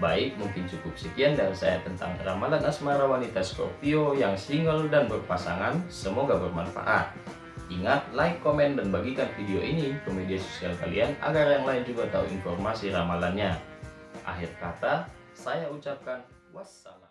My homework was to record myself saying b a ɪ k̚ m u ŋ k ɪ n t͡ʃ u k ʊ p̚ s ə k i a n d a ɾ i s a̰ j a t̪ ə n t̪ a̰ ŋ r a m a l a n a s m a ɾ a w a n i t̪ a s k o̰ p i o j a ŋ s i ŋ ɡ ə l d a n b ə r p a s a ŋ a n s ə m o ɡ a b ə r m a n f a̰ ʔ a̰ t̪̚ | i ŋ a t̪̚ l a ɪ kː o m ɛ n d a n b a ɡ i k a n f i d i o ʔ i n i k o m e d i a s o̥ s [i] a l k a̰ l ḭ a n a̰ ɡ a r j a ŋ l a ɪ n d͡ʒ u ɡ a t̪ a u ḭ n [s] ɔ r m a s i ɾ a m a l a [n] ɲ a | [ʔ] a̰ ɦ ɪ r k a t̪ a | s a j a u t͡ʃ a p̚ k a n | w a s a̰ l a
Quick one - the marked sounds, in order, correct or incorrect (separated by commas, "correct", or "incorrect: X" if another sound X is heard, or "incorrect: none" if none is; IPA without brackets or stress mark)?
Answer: correct, incorrect: f, correct, correct